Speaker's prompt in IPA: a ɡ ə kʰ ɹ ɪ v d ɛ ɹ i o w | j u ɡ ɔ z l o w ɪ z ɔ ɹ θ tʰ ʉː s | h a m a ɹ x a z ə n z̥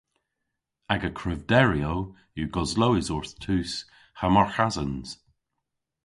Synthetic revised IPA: a ɡ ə kʰ ɹ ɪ v d ɛ ɹ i o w | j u ɡ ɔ z l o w ɪ z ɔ ɹ θ tʰ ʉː s | h a m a ɹ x a z ə n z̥

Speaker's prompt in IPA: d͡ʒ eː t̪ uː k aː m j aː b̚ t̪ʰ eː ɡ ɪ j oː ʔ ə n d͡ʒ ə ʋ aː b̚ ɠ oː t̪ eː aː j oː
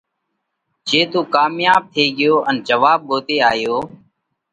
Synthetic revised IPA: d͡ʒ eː t̪ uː k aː m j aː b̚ t̪ʰ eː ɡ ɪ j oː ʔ ə n d͡ʒ ə ʋ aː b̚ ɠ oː t̪ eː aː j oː

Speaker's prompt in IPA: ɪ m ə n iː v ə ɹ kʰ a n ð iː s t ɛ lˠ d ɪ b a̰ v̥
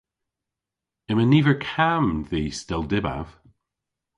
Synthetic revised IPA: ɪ m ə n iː v ə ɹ kʰ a m ð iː s t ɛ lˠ d ɪ b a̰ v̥

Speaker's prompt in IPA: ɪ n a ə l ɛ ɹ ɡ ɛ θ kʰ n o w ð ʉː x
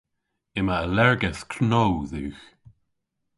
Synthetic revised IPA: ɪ m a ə l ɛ ɹ ɡ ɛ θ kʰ n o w ð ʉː x

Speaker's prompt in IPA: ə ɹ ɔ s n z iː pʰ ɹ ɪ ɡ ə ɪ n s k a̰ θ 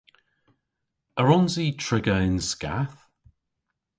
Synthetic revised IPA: ə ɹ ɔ n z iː tʰ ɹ ɪ ɡ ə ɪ n s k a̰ θ

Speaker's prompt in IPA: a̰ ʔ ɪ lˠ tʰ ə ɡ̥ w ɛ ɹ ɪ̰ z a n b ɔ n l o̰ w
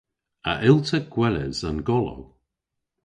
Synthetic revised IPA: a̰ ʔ ɪ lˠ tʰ ə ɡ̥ w ɛ l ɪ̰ z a n ɡ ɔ l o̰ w

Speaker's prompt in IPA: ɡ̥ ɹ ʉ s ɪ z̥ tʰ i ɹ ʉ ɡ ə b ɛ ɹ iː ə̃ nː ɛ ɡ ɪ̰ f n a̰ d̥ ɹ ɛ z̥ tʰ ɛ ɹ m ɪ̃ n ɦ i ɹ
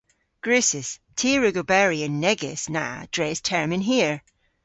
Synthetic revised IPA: ɡ̥ ɹ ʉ s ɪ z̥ tʰ i ɹ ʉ ɡ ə b ɛ ɹ i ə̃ nː ɛ ɡ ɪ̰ s n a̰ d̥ ɹ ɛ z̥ tʰ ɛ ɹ m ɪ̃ n ɦ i ɹ

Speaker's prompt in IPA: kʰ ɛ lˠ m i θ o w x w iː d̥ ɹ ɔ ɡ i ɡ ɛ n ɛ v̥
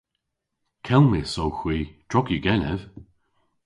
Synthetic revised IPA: kʰ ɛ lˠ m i s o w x w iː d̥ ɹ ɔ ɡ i ɡ ɛ n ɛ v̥

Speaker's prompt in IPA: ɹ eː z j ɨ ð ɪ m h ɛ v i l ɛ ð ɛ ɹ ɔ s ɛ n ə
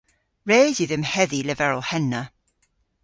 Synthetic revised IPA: ɹ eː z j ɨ ð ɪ m h ɛ ð i l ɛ v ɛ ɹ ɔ h ɛ n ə

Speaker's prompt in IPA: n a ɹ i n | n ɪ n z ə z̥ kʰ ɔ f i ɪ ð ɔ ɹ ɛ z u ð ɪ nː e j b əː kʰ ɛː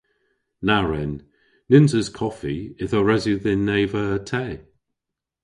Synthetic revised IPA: n a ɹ ɛ n | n ɪ n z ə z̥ kʰ ɔ f i ɪ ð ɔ ɹ ɛ z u ð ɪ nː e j v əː tʰ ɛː

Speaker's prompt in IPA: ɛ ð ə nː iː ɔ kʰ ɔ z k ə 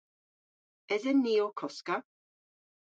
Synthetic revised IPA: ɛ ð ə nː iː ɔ kʰ ɔ s k a

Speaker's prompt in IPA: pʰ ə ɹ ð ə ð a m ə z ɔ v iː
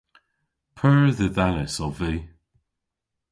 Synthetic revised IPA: pʰ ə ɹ ð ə ð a n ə s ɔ v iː

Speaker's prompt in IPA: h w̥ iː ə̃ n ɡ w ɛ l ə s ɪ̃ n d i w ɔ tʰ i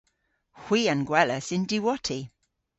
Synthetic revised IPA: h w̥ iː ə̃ n ɡ w ɛ l ə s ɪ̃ n d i w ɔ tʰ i

